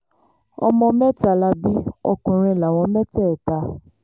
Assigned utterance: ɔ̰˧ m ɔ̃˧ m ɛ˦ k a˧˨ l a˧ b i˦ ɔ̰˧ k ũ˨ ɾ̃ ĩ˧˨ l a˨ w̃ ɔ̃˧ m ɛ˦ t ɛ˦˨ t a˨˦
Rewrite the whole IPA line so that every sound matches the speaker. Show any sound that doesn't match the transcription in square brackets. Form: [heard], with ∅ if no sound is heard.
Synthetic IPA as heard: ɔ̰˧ m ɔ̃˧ m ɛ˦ [t] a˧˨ l a˧ b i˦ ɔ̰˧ k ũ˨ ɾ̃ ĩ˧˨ l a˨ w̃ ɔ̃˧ m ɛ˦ t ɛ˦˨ t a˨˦